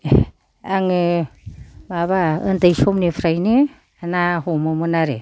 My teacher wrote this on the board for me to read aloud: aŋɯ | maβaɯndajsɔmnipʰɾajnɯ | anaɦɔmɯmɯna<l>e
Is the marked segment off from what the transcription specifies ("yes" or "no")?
yes